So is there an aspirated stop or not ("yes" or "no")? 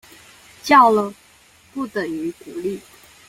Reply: no